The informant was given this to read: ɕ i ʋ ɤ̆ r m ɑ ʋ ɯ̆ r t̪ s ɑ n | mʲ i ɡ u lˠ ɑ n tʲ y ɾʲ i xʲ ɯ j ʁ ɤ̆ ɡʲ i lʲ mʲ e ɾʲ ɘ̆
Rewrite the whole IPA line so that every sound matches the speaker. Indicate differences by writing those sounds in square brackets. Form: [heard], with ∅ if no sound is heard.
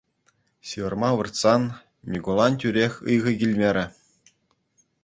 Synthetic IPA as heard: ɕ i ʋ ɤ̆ r m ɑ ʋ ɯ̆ r t̪ s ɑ n | mʲ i ɡ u lˠ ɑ n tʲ y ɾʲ [e] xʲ ɯ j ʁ ɤ̆ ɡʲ i lʲ mʲ e ɾʲ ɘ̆

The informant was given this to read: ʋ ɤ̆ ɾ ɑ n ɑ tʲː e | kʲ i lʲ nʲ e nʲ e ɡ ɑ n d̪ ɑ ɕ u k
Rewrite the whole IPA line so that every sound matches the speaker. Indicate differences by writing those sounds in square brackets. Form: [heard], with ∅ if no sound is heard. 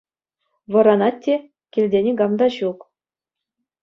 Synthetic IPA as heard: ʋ ɤ̆ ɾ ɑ n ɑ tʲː e | kʲ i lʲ [dʲ] e nʲ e ɡ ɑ [m] d̪ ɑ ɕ u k

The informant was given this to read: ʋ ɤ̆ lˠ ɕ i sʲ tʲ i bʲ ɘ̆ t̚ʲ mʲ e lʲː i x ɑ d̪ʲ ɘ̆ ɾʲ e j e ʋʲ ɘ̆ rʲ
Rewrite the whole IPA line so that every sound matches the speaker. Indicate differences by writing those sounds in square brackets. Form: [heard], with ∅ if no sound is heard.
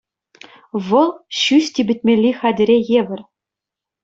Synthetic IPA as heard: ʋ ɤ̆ lˠ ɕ [y] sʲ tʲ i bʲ ɘ̆ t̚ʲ mʲ e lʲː i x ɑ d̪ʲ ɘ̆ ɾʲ e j e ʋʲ ɘ̆ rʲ

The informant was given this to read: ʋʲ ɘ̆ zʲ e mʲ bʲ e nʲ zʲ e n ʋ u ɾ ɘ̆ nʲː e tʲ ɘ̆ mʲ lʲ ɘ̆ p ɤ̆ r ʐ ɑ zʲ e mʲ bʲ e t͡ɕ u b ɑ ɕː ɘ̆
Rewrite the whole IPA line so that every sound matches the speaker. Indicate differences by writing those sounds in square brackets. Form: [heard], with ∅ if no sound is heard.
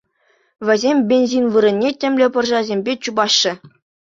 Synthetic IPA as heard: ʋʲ ɘ̆ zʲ e mʲ bʲ e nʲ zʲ [i] n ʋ [ɯ] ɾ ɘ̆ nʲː e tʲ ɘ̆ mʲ lʲ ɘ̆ p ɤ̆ r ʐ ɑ zʲ e mʲ bʲ e t͡ɕ u b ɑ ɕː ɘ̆

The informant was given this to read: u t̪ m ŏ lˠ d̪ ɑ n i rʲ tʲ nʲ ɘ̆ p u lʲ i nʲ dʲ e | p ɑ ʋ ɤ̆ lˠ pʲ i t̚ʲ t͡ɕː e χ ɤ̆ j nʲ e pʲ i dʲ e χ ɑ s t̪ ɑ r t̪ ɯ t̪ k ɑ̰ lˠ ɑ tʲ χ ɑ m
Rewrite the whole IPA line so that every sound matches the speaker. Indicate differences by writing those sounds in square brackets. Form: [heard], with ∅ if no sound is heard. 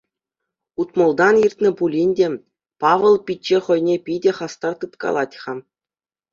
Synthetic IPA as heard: u t̪ m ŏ lˠ d̪ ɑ n i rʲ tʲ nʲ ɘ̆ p u lʲ i nʲ dʲ e | p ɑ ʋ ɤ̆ lˠ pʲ i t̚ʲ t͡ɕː e χ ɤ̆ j nʲ e pʲ i dʲ e χ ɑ s t̪ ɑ r t̪ ɯ t̪ k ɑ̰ lˠ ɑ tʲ χ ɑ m

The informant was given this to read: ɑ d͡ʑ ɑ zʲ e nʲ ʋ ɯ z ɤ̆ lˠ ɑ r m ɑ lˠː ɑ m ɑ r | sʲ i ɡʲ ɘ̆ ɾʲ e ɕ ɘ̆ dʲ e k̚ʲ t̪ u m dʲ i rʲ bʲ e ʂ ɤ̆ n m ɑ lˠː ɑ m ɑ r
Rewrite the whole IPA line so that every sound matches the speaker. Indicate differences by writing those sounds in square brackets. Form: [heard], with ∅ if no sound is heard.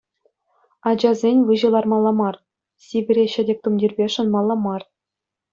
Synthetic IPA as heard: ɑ d͡ʑ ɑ zʲ e nʲ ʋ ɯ [ʑ] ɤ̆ lˠ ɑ r m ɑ lˠː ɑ m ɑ r | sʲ i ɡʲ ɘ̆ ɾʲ e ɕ ɘ̆ dʲ e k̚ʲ t̪ u m dʲ i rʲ bʲ e ʂ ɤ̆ n m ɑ lˠː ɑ m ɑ r

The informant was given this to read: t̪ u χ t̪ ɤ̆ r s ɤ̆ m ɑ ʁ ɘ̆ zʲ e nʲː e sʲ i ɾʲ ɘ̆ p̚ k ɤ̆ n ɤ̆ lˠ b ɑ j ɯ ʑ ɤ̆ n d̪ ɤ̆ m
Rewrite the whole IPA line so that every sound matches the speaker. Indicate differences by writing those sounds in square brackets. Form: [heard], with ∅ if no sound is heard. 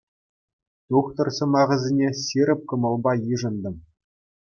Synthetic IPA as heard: t̪ u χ t̪ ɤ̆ r s ɤ̆ m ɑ ʁ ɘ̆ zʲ e [nʲ] e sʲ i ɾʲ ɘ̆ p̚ k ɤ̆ [m] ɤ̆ lˠ b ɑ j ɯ [ʐ] ɤ̆ n d̪ ɤ̆ m

